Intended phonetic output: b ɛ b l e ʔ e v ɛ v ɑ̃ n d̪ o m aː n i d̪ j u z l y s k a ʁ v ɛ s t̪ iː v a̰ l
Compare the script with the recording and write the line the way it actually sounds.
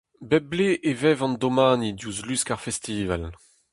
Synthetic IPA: b ɛ b l e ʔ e v ɛ v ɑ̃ n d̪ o m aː n i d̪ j u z l y s k a ʁ f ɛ s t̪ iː v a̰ l